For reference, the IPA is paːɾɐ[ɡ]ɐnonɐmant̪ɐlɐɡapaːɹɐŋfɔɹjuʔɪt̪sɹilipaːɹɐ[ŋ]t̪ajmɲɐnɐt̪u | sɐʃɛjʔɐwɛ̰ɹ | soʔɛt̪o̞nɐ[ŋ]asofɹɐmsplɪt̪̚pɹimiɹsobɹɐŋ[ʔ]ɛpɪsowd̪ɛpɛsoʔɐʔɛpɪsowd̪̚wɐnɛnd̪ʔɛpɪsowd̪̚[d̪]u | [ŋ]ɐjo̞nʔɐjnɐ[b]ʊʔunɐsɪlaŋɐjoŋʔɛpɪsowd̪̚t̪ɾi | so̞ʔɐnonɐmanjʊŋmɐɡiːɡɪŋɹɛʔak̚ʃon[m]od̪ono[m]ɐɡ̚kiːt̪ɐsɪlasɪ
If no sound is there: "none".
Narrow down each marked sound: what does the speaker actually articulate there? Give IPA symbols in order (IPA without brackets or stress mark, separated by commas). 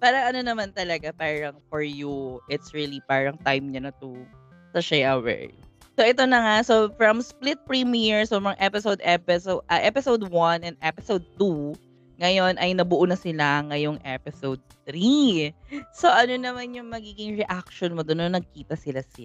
ŋ, ŋ, ŋ, ʔ, t̪, ŋ, b, m, n